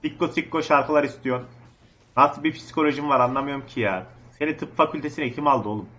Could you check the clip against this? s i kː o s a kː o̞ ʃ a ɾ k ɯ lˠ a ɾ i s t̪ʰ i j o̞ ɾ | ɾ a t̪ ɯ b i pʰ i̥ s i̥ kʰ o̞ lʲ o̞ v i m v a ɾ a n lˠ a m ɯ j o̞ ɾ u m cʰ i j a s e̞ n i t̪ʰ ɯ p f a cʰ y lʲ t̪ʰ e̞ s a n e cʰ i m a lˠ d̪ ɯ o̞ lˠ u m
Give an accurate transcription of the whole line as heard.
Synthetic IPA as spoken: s i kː o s i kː o̞ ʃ a ɾ k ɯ lˠ a ɾ i s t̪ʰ i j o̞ ɾ | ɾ a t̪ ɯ b i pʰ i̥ s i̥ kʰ o̞ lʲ o̞ ʒ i m v a ɾ a n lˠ a m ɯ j o̞ ɾ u m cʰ i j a s e̞ n i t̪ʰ ɯ p f a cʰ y lʲ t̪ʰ e̞ s i n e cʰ i m a lˠ d̪ ɯ o̞ lˠ u m